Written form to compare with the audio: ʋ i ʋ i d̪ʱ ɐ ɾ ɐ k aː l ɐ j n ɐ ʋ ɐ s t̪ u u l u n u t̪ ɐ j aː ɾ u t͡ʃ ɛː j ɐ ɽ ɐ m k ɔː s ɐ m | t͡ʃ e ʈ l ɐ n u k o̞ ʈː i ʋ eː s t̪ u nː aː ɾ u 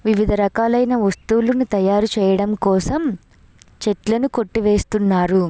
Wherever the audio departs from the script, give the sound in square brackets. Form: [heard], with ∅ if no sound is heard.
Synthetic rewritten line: ʋ i ʋ i d̪ʱ ɐ ɾ ɐ k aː l ɐ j n ɐ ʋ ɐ s t̪ u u l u n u t̪ ɐ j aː ɾ u t͡ʃ ɛː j ɐ ɽ ɐ m k ɔː s ɐ m | t͡ʃ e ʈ l ɐ n u k o̞ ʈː i ʋ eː s t̪ u nː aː ɾ u